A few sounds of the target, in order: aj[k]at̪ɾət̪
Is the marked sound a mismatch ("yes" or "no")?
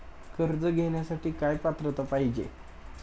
yes